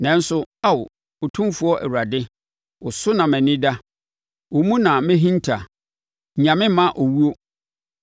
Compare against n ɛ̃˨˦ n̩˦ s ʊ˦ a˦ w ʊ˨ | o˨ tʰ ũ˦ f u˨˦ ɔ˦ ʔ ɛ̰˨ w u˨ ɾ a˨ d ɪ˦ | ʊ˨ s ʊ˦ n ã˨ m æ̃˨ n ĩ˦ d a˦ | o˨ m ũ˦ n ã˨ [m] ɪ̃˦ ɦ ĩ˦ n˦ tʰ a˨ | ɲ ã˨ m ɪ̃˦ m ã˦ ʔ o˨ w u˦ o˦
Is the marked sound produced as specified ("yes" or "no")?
yes